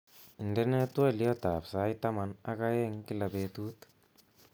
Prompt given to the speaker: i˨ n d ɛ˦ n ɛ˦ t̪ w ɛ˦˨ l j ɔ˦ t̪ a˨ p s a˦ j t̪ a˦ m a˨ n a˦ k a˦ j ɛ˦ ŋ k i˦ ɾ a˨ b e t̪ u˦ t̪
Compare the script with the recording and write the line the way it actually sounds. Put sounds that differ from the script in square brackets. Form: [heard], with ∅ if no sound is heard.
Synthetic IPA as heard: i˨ n d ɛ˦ n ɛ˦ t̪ w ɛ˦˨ l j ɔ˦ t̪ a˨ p s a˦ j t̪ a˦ m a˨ n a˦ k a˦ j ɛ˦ ŋ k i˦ [l] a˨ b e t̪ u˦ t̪